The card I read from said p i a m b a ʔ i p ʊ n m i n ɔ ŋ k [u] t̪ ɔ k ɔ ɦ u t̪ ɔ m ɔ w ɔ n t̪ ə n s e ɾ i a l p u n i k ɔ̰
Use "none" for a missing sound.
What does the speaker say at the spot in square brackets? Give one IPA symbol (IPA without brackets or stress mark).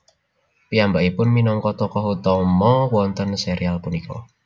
ɔ